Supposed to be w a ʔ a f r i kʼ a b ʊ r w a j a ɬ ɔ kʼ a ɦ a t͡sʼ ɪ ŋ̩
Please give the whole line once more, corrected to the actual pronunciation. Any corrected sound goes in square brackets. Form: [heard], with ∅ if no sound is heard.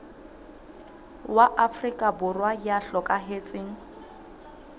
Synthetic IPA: w a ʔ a f r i kʼ a b ʊ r w a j a ɬ ɔ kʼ a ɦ [e] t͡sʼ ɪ ŋ̩